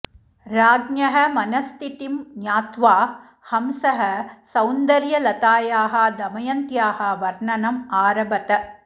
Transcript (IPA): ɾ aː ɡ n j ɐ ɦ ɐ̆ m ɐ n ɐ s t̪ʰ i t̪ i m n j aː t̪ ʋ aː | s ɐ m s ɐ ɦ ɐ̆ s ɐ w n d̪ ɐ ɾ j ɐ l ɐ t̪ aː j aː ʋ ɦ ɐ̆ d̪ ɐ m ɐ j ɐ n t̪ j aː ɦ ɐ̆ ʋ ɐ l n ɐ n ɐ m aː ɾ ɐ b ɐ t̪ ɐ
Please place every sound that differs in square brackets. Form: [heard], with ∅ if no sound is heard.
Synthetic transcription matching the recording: ɾ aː ɡ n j ɐ ɦ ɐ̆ m ɐ n ɐ s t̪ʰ i t̪ i m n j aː t̪ ʋ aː | [h] ɐ m s ɐ ɦ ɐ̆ s ɐ w n d̪ ɐ ɾ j ɐ l ɐ t̪ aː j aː [∅] ɦ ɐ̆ d̪ ɐ m ɐ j ɐ n t̪ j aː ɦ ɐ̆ ʋ ɐ [ɾ] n ɐ n ɐ m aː ɾ ɐ b ɐ t̪ ɐ